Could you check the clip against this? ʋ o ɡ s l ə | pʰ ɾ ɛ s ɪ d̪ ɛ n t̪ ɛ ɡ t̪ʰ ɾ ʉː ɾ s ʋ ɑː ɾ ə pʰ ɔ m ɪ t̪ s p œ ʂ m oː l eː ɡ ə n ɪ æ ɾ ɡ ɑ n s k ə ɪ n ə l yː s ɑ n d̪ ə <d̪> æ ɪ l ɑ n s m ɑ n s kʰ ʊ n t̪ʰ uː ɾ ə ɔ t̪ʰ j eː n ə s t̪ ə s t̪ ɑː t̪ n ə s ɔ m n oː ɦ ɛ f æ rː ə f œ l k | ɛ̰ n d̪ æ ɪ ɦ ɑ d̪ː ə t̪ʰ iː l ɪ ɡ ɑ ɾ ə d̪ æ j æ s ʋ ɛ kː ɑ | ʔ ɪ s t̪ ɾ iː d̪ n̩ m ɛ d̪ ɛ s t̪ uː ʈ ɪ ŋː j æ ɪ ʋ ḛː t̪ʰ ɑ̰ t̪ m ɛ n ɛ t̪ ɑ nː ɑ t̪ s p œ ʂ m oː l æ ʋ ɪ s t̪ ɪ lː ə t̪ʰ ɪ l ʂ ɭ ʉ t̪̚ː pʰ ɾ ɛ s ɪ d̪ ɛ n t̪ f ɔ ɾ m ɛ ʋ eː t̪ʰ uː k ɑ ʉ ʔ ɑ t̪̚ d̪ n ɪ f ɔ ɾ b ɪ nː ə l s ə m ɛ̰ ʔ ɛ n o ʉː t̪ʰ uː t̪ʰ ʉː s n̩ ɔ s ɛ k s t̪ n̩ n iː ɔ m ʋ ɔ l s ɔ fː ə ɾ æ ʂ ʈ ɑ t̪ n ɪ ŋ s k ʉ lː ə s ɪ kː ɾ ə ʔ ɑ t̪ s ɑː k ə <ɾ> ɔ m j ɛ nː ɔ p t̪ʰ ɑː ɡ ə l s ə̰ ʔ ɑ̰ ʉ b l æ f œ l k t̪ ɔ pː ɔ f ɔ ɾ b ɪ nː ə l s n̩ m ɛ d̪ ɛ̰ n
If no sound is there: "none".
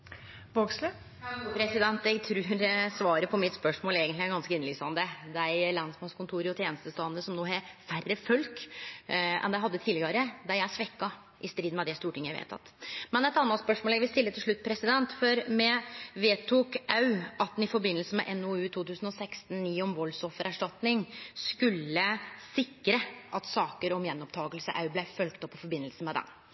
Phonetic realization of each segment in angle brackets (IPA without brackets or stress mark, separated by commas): d̪, ɾ